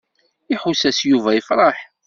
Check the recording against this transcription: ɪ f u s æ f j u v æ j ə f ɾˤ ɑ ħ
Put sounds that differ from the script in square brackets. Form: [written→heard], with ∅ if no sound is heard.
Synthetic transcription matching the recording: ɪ [f→ħ] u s æ [f→s] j u v æ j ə f ɾˤ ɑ ħ